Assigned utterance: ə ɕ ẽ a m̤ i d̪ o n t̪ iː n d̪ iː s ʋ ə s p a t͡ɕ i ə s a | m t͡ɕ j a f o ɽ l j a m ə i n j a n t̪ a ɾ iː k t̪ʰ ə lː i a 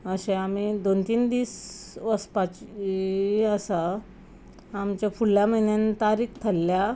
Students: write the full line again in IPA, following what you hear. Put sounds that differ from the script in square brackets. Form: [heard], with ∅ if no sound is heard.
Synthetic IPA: ə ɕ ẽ a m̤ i d̪ o n t̪ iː n d̪ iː s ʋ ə s p a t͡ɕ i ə s a | m t͡ɕ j a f [u] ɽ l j a m ə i n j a n t̪ a ɾ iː k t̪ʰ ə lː [j] a